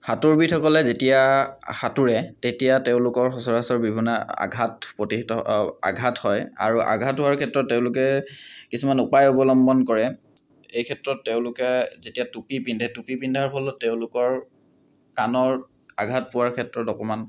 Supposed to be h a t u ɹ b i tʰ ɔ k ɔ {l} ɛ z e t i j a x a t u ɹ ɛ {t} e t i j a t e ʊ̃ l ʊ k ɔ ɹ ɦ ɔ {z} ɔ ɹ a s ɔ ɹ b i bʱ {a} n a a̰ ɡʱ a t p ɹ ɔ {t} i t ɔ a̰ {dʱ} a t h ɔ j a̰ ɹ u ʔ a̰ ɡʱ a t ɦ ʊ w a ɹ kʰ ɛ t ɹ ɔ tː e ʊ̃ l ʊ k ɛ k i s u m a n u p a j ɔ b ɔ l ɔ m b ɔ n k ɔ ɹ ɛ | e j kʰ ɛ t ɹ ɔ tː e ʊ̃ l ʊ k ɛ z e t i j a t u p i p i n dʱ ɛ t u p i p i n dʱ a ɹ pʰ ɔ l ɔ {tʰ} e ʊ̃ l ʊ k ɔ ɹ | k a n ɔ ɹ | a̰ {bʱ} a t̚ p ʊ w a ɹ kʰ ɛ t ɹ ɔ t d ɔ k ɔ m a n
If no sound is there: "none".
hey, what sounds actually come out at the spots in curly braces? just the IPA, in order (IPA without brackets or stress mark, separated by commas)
l, t, s, i, t, ɡʱ, t, ɡʱ